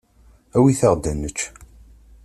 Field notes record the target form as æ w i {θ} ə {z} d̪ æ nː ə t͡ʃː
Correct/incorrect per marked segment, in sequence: correct, incorrect: ʁ

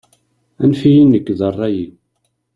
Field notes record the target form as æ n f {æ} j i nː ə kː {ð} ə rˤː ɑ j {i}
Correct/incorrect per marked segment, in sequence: incorrect: i, correct, correct

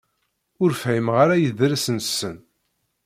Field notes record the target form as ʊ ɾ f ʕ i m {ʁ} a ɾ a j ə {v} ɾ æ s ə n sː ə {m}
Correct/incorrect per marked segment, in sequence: correct, incorrect: ð, incorrect: n

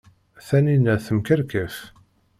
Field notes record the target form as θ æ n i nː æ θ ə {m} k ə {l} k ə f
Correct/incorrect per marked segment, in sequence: correct, incorrect: ɾ

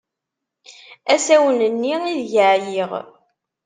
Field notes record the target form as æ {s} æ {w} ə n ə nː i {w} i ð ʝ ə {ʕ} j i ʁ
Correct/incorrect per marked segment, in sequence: correct, correct, incorrect: none, correct

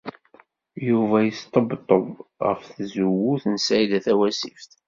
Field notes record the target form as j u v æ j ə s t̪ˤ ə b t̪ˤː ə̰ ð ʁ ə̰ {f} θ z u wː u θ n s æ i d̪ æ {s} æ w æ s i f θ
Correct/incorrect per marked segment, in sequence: correct, incorrect: θ

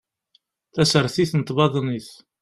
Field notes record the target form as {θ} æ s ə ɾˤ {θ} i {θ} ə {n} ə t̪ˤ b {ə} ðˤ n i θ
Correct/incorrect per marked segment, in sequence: correct, correct, correct, correct, incorrect: ɑ

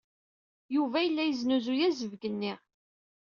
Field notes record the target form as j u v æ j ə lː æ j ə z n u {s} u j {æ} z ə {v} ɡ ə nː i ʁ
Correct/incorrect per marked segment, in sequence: incorrect: z, correct, correct

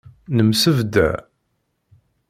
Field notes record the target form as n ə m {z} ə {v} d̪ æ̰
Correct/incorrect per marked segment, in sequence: incorrect: s, correct

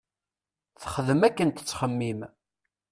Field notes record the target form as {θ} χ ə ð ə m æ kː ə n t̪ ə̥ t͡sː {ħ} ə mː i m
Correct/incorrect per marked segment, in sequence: correct, incorrect: χ

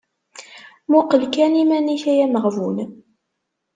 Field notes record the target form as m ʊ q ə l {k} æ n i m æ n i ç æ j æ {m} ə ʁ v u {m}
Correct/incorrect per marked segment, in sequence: correct, correct, incorrect: n

